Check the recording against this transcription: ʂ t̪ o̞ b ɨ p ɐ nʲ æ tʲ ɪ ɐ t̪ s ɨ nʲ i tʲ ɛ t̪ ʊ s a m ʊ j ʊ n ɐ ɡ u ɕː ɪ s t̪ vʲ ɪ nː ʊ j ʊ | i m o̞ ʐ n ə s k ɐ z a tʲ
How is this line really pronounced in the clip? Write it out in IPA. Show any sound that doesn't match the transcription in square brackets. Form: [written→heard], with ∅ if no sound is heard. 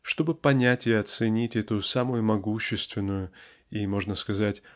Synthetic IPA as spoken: ʂ t̪ o̞ b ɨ p ɐ nʲ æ tʲ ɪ ɐ t̪ s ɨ nʲ i tʲ ɛ t̪ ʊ s a m ʊ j ʊ [n→m] ɐ ɡ u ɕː ɪ s t̪ vʲ ɪ nː ʊ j ʊ | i m o̞ ʐ n ə s k ɐ z a tʲ